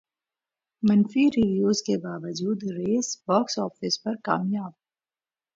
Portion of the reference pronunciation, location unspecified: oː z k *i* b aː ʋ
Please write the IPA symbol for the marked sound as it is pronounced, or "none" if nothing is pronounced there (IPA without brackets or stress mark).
e